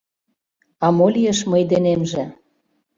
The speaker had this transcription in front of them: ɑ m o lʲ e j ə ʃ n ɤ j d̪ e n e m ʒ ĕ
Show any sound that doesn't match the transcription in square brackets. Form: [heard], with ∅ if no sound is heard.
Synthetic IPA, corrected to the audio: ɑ m o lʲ [i] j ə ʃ [m] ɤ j d̪ e n e m ʒ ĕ